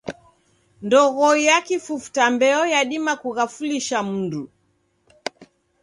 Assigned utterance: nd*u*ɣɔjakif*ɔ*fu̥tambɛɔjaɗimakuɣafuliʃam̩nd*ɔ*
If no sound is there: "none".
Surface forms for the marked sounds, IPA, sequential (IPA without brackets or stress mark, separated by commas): ɔ, u, u